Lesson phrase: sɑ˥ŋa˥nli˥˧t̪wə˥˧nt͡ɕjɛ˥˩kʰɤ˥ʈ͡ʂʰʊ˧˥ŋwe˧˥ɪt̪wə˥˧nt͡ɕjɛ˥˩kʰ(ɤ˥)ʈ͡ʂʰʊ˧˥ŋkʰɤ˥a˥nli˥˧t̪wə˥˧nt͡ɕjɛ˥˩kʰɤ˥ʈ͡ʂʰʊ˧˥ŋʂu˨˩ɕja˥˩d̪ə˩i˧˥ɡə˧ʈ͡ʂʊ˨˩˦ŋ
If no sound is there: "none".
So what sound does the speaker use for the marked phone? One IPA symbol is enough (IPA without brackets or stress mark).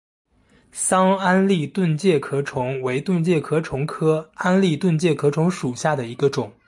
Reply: ɤ˥